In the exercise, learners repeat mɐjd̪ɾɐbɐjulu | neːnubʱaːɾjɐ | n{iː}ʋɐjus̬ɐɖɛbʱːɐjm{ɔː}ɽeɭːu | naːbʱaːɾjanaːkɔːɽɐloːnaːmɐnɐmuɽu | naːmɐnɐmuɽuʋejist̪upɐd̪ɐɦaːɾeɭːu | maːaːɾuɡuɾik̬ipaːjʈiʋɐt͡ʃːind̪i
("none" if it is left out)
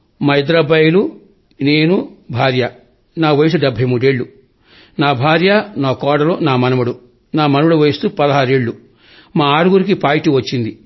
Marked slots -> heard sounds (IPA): aː, uː

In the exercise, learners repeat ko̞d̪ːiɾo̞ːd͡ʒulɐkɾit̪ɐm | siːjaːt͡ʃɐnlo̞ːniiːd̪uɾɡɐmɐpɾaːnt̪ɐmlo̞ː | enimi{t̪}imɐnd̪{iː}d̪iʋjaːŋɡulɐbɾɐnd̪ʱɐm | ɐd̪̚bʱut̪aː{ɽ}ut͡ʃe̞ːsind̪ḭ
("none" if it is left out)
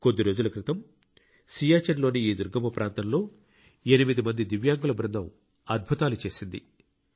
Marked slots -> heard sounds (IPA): d̪, i, l

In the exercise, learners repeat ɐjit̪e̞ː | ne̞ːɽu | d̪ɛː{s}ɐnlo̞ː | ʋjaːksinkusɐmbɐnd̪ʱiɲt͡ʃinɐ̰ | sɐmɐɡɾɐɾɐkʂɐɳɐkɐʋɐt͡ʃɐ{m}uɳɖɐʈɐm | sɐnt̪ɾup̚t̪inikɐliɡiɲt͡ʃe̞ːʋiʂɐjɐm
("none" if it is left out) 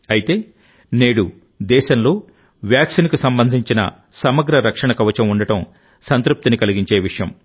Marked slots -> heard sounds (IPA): ʃ, m

